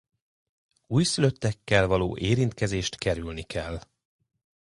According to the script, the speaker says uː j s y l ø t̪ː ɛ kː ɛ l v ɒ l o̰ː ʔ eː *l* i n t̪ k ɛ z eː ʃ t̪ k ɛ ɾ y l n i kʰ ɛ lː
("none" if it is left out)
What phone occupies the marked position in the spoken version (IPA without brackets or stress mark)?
ɾ